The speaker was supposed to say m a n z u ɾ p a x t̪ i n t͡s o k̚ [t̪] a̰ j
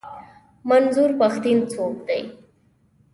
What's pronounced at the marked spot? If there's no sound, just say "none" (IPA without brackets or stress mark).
d̪